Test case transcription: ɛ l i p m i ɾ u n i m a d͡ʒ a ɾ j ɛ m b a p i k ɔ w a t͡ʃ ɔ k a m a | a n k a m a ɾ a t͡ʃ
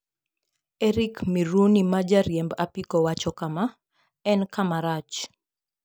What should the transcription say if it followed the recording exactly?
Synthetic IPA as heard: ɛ ɾ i k m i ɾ u n i m a d͡ʒ a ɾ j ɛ m b a p i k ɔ w a t͡ʃ ɔ k a m a | ɛ n k a m a ɾ a t͡ʃ